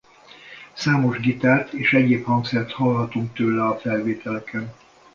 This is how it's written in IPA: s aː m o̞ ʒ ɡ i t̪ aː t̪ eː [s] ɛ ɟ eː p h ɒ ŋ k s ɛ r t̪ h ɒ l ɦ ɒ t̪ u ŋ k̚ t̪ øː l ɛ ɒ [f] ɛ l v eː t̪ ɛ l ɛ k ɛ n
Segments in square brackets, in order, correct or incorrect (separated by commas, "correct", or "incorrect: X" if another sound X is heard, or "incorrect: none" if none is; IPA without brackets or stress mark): incorrect: ʃ, correct